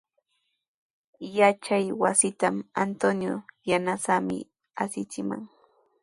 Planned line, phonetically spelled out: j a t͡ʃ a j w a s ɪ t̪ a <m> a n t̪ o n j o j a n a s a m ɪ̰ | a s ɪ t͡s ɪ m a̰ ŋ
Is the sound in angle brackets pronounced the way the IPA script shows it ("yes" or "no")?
yes